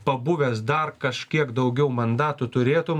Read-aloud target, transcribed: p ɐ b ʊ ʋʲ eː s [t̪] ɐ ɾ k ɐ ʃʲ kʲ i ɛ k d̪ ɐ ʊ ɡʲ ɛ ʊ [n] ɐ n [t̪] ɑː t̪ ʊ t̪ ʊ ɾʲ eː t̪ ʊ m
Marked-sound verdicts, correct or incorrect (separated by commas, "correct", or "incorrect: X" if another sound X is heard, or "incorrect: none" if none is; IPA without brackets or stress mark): incorrect: d̪, incorrect: m, incorrect: d̪